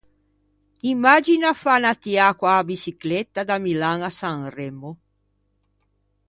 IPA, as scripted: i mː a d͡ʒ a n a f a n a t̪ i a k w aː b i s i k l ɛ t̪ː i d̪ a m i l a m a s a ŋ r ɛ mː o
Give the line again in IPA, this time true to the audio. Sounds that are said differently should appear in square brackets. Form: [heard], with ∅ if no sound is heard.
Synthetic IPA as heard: i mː a d͡ʒ [i] n a f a n a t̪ i a k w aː b i s i k l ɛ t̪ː [a] d̪ a m i l a [ŋ] a s a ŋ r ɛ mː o

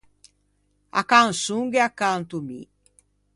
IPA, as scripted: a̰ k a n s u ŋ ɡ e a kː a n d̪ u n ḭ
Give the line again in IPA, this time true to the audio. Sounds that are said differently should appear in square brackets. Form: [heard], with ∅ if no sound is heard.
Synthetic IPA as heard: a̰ k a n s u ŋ ɡ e a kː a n [t̪] u [m] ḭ

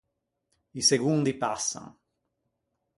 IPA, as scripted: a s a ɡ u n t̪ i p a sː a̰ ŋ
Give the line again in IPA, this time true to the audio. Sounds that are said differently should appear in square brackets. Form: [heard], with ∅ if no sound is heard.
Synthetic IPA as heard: [i] s [e] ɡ u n [d̪] i p a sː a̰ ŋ

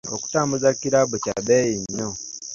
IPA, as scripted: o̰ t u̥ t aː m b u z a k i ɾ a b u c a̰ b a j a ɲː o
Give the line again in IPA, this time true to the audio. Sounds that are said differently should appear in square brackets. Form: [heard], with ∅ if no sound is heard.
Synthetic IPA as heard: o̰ [k] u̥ t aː m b u z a k i ɾ a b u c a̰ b [e] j [i] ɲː o

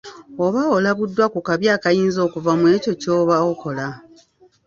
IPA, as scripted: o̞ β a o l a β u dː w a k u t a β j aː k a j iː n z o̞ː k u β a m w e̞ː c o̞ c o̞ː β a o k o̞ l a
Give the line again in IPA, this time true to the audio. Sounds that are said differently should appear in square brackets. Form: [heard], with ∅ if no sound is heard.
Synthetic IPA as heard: o̞ β a o l a β u dː w a k u [k] a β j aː k a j iː n z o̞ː k u [v] a m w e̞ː c o̞ c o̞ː β a o k o̞ l a

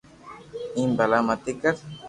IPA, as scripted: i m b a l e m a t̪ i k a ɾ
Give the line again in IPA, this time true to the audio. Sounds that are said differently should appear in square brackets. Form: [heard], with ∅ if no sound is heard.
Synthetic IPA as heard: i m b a l [a] m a t̪ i k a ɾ

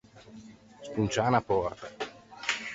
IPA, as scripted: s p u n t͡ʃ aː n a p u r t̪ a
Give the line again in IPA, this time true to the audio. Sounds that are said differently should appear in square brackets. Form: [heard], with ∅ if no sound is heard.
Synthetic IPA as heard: s p u n t͡ʃ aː n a p [ɔ] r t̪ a

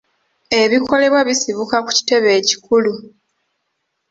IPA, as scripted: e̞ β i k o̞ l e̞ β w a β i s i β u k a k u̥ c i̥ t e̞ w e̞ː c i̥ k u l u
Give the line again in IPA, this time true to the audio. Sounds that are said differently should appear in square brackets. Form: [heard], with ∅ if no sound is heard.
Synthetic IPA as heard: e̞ β i k o̞ l e̞ β w a β i s i β u k a k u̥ c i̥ t e̞ [β] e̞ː c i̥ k u l u

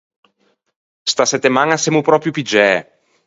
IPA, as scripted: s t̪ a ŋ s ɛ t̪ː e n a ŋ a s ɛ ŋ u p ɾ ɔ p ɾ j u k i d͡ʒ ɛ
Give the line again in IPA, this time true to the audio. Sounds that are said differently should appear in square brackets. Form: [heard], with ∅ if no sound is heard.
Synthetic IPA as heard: s t̪ a [∅] s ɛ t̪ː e [m] a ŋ a s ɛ [m] u p ɾ ɔ p ɾ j u [p] i d͡ʒ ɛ

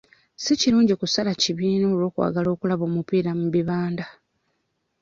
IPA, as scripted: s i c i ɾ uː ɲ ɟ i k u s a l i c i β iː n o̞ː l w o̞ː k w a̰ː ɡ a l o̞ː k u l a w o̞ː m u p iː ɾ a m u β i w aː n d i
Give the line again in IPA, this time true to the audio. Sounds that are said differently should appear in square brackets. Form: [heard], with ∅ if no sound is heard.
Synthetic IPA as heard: s i c i ɾ uː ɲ ɟ i k u s a l [a] c i β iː n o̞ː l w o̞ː k w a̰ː ɡ a l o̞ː k u l a [β] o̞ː m u p iː ɾ a m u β i [β] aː n d [a]

